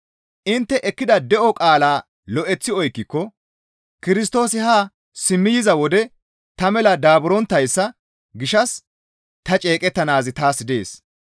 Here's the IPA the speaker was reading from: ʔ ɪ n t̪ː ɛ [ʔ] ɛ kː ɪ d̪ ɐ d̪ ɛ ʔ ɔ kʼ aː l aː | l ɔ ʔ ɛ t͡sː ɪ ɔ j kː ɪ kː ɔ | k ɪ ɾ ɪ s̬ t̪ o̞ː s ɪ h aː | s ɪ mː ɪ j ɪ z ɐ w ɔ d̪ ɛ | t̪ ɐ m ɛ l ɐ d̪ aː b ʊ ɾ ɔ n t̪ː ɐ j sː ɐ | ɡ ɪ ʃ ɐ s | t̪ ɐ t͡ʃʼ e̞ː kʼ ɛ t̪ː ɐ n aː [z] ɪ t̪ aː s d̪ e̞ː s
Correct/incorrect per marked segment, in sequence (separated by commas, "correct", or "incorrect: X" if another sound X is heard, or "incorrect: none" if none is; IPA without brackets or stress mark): correct, correct